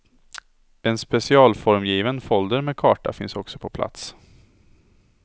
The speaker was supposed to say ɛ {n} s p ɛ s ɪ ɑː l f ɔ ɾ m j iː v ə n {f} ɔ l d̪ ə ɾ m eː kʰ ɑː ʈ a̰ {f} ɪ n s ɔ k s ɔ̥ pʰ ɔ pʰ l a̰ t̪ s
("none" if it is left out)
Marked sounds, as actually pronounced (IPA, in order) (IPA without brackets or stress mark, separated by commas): n, f, f